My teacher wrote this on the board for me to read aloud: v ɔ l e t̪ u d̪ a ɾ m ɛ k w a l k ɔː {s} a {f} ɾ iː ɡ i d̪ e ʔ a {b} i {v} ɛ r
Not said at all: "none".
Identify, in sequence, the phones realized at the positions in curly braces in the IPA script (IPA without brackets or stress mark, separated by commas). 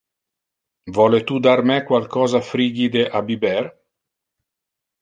z, f, b, b